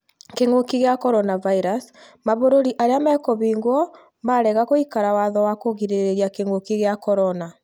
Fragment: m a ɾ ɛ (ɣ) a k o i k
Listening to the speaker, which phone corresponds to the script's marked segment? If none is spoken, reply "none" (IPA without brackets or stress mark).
ɣ